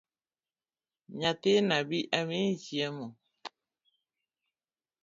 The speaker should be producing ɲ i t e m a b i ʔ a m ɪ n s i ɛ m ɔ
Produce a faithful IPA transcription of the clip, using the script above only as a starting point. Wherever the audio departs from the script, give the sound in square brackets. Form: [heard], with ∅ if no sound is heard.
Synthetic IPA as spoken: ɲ [a] t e [n] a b i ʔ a m [i] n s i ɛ m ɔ